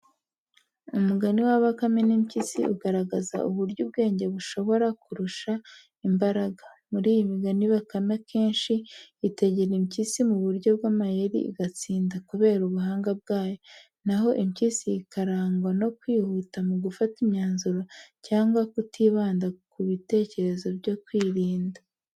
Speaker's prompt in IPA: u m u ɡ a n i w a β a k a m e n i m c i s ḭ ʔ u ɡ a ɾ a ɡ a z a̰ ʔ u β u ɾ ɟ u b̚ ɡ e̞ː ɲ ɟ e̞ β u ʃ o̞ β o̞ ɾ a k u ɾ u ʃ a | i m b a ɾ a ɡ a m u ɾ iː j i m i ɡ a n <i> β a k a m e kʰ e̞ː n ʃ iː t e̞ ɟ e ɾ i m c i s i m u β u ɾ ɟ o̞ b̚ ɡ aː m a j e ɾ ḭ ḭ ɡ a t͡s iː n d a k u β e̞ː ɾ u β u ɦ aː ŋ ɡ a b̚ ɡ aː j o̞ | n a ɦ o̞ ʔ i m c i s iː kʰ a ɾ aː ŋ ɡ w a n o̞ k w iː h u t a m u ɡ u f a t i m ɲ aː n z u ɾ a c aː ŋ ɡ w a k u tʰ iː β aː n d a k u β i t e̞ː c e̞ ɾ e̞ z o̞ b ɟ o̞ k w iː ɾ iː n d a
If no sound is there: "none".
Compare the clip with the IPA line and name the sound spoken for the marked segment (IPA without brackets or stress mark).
i